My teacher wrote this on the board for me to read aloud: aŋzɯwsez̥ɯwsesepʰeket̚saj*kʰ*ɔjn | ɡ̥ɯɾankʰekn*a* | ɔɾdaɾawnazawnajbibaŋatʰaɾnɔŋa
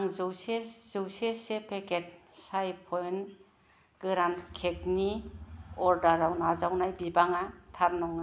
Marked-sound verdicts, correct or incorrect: incorrect: pʰ, incorrect: i

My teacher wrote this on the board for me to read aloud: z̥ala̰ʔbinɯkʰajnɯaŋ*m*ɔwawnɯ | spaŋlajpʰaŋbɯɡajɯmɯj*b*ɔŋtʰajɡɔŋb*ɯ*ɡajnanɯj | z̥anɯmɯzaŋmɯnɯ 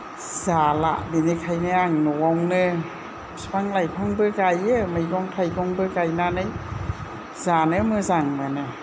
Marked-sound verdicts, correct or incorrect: incorrect: n, incorrect: ɡ, correct

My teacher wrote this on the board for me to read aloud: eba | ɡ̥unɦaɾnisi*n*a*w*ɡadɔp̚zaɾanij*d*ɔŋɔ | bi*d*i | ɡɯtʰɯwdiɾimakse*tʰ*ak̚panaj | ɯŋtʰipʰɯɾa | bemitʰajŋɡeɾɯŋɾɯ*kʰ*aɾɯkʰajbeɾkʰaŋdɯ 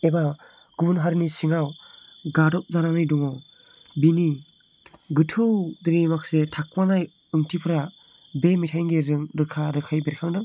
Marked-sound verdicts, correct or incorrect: incorrect: ŋ, correct, correct, incorrect: n, correct, correct

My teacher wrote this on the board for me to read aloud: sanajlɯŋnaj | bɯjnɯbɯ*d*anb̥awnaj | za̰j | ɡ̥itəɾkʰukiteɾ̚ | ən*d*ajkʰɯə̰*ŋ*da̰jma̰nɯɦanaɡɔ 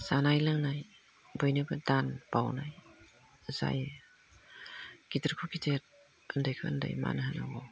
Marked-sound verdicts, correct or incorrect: correct, correct, incorrect: n

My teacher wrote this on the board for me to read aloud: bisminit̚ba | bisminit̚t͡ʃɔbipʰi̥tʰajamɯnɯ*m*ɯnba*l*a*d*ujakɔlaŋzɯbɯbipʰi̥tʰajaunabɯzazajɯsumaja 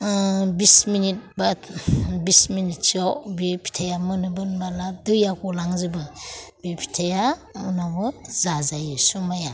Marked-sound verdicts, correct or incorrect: incorrect: b, correct, correct

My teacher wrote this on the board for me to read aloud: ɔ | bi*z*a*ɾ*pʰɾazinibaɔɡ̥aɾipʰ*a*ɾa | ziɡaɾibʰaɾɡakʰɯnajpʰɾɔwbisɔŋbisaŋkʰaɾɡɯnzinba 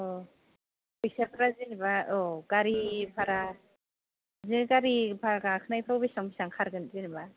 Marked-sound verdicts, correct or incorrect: incorrect: s, incorrect: none, correct

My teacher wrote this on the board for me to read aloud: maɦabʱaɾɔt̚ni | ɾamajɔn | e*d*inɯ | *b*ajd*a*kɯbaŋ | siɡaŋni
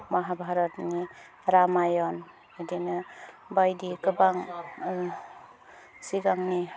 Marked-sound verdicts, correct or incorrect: correct, correct, incorrect: i

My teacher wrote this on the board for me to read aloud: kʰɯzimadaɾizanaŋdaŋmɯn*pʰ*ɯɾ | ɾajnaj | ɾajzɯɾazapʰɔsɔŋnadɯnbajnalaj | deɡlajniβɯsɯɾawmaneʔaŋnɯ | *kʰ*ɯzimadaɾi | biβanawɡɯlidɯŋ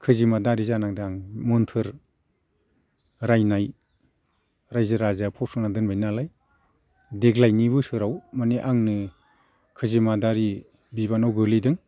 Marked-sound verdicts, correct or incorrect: incorrect: tʰ, correct

